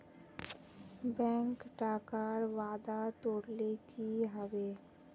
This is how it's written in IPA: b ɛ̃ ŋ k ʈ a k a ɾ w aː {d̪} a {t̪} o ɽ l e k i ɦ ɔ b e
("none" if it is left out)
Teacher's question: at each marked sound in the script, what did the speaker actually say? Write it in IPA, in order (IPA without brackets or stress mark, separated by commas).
d̪, t̪